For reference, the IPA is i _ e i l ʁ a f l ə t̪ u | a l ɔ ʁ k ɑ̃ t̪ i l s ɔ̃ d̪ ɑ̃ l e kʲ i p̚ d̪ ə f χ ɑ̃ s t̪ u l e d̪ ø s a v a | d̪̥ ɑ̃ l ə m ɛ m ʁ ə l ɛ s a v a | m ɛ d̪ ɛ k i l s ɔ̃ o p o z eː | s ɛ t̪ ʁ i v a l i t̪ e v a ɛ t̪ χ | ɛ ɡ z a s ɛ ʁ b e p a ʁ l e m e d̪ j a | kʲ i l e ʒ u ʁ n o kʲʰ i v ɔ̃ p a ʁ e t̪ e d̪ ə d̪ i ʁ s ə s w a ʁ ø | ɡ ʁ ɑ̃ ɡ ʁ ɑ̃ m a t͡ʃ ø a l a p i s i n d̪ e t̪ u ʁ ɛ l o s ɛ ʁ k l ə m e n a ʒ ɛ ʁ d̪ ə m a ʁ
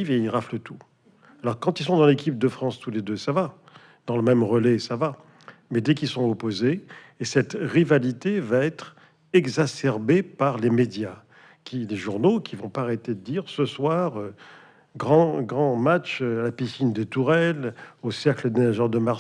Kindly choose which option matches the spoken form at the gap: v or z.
v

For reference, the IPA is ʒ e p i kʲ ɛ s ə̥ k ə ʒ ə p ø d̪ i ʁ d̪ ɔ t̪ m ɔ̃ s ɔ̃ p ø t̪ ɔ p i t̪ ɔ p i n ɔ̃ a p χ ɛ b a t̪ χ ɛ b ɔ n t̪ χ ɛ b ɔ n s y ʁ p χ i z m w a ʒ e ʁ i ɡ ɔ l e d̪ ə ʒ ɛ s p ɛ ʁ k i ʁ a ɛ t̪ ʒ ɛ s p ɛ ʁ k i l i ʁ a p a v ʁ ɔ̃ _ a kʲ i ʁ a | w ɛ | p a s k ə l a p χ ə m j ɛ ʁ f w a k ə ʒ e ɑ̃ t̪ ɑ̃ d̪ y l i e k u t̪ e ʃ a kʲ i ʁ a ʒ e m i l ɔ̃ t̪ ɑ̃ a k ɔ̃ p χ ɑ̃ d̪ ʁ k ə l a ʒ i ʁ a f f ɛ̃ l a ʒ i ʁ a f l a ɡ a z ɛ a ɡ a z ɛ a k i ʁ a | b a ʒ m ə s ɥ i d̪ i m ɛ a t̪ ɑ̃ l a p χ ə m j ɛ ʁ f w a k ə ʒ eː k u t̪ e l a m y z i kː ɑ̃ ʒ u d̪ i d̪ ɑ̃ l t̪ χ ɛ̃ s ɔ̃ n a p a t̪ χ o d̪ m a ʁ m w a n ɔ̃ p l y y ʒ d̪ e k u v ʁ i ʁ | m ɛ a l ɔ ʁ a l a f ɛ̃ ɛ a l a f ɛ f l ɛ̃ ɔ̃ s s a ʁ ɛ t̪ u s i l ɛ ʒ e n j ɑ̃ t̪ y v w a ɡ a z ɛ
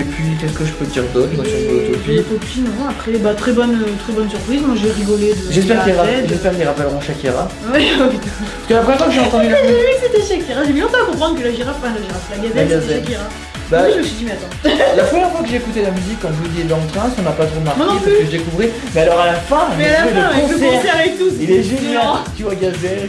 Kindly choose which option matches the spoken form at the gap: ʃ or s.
ʃ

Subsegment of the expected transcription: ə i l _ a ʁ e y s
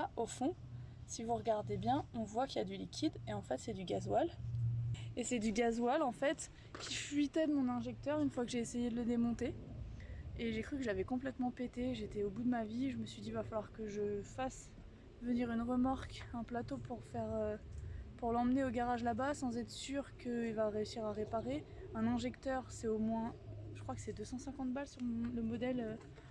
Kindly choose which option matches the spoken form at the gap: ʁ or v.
v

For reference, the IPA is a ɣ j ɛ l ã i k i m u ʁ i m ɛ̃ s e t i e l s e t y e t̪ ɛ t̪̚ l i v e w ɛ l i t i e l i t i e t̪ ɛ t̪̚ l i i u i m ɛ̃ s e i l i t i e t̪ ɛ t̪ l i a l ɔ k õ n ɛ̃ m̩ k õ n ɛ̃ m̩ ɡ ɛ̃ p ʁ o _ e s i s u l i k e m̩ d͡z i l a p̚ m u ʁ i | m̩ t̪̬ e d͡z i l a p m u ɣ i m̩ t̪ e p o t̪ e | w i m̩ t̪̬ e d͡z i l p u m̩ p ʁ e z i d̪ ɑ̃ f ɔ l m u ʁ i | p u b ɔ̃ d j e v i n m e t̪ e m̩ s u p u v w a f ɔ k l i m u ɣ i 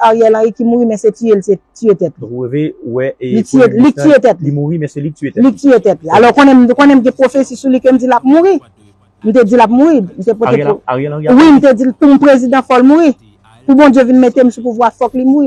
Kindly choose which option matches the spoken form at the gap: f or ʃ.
f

